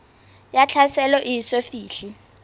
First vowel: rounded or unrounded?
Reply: unrounded